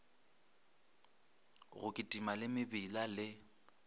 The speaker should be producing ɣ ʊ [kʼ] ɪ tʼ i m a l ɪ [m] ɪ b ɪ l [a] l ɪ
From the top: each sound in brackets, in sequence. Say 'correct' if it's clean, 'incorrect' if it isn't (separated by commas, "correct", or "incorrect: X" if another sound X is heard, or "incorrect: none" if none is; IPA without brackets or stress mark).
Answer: correct, correct, correct